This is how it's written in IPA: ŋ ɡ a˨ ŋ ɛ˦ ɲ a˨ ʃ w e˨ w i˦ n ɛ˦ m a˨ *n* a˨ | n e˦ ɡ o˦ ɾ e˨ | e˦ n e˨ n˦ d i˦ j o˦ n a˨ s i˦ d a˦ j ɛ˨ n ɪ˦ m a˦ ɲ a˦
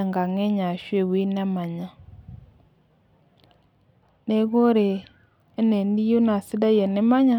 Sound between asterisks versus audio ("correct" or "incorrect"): incorrect